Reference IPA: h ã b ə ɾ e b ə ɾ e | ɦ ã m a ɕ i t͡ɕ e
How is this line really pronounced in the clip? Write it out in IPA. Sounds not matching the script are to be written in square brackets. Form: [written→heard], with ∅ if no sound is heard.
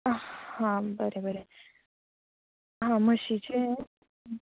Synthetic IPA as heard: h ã b ə ɾ e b ə ɾ e | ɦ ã m [a→ə] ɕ i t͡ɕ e

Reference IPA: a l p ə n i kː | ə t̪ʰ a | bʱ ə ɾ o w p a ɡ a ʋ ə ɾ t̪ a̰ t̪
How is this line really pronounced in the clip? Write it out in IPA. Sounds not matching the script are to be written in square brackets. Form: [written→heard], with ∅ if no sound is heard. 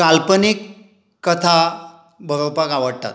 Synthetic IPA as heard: a l p ə n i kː | ə t̪ʰ a | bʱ ə ɾ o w p a [ɡ→k] a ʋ ə [ɾ→ɽ] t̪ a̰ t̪

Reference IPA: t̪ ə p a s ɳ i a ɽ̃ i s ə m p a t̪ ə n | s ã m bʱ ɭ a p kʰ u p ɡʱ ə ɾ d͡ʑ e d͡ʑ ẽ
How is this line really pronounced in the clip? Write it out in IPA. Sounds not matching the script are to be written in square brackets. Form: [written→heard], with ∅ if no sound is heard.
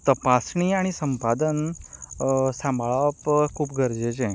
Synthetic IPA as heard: t̪ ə p a s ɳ i a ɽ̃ i s ə m p a [t̪→d̪] ə n | s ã m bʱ ɭ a p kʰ [u→uː] p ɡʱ ə ɾ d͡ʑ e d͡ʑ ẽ

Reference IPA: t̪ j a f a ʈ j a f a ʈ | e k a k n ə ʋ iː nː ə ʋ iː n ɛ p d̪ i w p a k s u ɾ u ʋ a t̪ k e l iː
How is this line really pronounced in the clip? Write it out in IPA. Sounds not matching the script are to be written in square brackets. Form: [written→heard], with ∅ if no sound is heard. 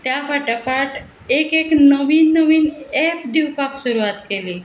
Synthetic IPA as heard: t̪ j a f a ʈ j a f a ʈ | e k [a→e] k n ə ʋ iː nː ə ʋ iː n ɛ p d̪ i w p a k s u ɾ u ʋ a t̪ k e l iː

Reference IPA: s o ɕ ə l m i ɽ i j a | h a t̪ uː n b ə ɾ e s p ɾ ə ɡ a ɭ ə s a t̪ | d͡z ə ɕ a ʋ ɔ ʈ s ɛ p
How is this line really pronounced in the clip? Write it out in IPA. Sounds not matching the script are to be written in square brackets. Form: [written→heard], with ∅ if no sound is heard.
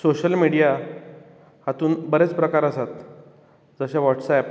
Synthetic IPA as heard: s o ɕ ə l m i ɽ i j a | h a t̪ uː n b ə ɾ e [s→t͡s] p ɾ ə [ɡ→k] a [ɭ→ɾ] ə s a t̪ | d͡z ə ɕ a ʋ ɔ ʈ s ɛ p

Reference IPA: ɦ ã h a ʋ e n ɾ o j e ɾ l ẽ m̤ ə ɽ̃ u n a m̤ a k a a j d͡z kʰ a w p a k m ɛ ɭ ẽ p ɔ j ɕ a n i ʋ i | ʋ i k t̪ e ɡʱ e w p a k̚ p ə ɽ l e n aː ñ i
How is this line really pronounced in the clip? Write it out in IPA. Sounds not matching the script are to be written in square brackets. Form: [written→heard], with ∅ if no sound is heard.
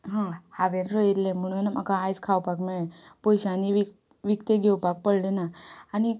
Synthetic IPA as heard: ɦ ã h a ʋ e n ɾ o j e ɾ l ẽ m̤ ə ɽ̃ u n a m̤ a k a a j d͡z kʰ a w p a k m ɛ ɭ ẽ p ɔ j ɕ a n i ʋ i | ʋ i k t̪ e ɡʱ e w p a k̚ p ə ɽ l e n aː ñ i

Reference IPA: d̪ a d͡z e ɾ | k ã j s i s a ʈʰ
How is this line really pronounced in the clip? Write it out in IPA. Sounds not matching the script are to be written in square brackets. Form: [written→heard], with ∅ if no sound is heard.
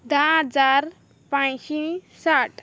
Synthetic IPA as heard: d̪ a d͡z [e→a] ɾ | [k→p] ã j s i s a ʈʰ

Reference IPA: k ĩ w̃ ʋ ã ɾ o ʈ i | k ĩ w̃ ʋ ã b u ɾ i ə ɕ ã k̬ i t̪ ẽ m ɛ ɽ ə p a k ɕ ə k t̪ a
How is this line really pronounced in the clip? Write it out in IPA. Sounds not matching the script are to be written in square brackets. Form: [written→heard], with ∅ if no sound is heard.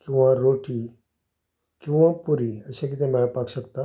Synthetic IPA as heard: k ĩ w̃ ʋ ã ɾ o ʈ i | k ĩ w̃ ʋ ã [b→p] u ɾ i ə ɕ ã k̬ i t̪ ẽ m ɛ [ɽ→ɭ] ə p a k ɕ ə k t̪ a

